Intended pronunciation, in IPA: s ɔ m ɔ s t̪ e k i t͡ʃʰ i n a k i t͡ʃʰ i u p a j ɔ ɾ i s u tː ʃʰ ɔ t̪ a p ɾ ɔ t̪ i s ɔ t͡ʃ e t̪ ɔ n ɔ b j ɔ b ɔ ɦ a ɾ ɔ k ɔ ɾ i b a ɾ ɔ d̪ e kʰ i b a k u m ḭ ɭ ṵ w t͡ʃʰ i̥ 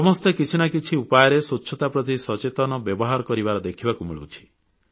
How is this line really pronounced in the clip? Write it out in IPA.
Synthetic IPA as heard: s ɔ m ɔ s t̪ e k i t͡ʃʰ i n a k i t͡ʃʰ i u p a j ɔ ɾ e s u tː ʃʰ ɔ t̪ a p ɾ ɔ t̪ i s ɔ t͡ʃ e t̪ ɔ n ɔ b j ɔ b ɔ ɦ a ɾ ɔ k ɔ ɾ i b a ɾ ɔ d̪ e kʰ i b a k u m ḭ ɭ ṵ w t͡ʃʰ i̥